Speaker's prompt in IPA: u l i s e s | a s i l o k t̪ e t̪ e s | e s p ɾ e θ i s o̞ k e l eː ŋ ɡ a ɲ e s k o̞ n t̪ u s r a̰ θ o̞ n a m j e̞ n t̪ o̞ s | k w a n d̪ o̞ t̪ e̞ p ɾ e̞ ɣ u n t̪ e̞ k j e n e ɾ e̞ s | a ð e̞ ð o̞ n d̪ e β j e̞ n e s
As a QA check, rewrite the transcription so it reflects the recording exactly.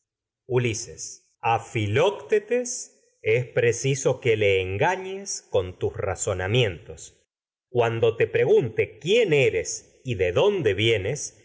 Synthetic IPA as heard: u l i s e s | a f i l o k t̪ e t̪ e s | e s p ɾ e s i s o̞ k e l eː ŋ ɡ a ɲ e s k o̞ n t̪ u s r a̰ s o̞ n a m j e̞ n t̪ o̞ s | k w a n d̪ o̞ t̪ e̞ p ɾ e̞ ɣ u n t̪ e̞ k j e n e ɾ e̞ s | i ð e̞ ð o̞ n d̪ e β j e̞ n e s